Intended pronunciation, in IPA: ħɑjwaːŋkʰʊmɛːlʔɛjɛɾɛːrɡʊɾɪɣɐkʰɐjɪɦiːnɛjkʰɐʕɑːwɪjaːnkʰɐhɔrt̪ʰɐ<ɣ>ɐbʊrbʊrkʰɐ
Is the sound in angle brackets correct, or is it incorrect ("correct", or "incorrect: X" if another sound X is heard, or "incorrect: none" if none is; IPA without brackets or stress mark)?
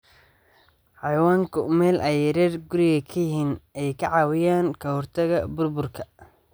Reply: correct